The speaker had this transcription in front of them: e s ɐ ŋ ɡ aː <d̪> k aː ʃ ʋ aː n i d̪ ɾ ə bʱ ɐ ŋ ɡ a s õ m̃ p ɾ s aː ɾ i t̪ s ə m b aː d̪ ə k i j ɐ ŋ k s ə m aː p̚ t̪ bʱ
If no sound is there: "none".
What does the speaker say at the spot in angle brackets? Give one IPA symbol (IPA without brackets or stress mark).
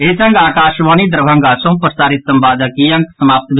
none